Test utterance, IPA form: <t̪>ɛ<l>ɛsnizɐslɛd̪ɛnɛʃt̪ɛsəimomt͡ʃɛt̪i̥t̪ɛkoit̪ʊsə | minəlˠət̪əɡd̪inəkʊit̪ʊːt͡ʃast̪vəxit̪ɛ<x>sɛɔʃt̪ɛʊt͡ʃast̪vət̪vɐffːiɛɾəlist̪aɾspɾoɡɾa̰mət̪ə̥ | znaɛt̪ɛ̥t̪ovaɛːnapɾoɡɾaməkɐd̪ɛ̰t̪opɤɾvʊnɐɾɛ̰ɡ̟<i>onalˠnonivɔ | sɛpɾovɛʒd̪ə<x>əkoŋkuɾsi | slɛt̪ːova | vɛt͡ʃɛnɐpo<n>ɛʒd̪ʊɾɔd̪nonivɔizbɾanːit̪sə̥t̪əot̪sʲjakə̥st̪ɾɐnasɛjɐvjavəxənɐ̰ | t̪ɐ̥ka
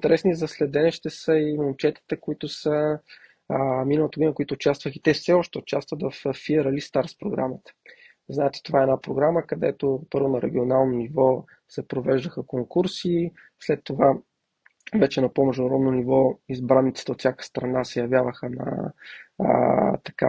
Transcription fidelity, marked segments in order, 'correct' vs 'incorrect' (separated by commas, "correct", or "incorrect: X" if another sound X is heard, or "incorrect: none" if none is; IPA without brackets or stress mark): correct, incorrect: ɾ, incorrect: f, correct, correct, incorrect: m